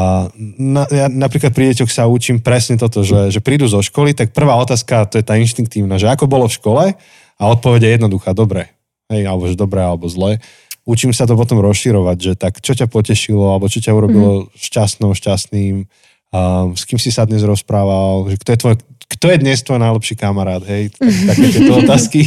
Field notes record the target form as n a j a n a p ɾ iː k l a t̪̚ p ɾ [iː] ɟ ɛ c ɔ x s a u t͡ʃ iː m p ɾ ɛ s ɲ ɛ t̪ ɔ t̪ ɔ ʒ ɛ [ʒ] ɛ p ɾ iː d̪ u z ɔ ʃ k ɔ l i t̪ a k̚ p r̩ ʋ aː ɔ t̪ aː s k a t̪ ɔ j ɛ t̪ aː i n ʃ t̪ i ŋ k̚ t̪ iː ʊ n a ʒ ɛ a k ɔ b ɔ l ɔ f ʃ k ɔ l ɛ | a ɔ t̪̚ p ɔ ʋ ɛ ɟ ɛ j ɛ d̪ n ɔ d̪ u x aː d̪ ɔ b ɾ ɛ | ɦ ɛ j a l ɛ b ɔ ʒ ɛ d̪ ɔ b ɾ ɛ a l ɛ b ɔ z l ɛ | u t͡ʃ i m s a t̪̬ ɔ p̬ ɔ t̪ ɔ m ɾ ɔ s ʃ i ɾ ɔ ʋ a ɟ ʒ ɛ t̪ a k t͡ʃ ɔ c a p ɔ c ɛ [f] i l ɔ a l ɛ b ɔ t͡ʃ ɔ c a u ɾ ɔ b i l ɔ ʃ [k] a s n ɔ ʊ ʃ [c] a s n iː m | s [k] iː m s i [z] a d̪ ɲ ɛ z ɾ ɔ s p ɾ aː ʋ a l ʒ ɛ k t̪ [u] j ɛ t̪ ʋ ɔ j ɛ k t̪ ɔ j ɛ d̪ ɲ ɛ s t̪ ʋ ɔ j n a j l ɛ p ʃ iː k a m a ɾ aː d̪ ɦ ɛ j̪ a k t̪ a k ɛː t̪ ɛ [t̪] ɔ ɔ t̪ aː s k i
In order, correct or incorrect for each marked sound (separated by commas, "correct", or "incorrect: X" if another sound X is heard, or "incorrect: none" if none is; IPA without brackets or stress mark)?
incorrect: i, correct, incorrect: ʃ, incorrect: c, correct, correct, incorrect: s, incorrect: ɔ, correct